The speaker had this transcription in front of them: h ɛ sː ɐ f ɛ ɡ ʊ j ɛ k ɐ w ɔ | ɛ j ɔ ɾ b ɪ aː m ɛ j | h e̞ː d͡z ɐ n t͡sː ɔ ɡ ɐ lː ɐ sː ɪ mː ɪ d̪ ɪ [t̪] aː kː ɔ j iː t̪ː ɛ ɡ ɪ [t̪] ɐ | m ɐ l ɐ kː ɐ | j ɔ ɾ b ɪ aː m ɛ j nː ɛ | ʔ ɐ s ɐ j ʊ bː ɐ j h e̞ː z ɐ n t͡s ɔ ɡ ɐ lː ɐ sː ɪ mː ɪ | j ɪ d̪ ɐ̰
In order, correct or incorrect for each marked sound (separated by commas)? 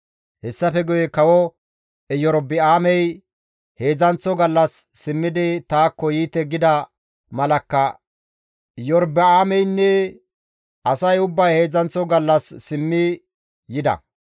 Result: correct, incorrect